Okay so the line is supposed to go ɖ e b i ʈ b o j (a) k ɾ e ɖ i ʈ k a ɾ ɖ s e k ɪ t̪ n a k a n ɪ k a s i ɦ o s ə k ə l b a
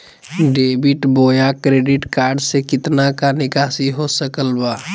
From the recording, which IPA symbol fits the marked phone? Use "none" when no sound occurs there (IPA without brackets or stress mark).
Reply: a